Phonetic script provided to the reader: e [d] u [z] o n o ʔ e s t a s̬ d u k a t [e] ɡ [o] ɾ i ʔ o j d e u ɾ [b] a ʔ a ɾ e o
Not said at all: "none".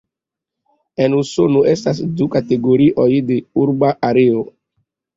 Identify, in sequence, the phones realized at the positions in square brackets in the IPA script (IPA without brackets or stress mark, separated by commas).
n, s, e, o, b